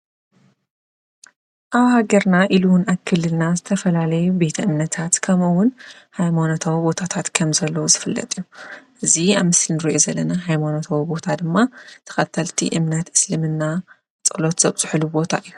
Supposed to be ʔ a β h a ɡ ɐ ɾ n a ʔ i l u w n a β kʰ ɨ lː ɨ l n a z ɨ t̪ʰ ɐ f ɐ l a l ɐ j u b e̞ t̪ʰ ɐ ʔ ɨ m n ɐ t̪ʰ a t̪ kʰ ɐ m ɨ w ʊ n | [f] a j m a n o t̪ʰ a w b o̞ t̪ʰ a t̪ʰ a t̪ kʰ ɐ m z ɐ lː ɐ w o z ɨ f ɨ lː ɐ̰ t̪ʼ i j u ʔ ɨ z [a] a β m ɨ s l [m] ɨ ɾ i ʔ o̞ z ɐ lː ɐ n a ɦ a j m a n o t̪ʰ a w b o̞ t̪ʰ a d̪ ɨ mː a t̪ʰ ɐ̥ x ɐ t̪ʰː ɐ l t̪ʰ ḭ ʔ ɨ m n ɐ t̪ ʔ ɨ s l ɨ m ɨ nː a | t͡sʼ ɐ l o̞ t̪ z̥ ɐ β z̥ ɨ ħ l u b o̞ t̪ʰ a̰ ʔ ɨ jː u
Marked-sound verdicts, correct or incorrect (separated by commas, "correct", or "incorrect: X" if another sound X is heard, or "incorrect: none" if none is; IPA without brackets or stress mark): incorrect: h, incorrect: i, incorrect: n